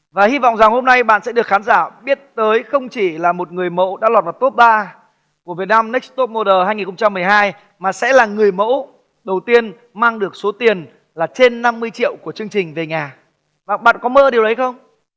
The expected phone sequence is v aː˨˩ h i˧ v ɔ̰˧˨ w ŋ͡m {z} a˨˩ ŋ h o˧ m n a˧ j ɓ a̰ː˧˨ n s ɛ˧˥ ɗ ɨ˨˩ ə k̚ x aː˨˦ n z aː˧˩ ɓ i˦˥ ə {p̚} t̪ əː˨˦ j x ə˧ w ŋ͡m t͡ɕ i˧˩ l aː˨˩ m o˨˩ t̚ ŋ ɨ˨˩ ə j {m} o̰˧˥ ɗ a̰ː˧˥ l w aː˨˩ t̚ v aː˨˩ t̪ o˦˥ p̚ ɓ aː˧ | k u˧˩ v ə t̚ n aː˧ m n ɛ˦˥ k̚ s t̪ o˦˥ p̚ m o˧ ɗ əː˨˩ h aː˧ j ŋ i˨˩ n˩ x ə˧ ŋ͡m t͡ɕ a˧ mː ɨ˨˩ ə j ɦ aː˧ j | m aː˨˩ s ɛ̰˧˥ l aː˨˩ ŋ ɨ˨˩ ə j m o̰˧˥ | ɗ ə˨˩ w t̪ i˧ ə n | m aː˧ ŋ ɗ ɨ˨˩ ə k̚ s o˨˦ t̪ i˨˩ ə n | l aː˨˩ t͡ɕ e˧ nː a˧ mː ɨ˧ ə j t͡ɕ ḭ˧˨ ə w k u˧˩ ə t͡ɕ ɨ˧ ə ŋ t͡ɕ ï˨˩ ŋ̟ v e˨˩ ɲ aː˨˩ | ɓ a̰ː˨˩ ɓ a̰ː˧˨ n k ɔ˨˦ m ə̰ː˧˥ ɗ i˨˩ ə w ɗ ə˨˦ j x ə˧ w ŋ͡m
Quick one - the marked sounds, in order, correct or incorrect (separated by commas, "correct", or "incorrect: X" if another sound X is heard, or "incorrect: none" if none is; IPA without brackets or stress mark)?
correct, incorrect: t̚, correct